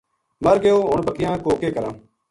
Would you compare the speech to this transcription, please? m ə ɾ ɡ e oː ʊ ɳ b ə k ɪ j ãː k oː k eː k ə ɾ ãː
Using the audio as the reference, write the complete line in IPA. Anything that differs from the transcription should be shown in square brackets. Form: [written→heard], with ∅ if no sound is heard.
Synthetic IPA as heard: m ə ɾ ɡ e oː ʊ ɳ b ə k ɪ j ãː k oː k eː k ə ɾ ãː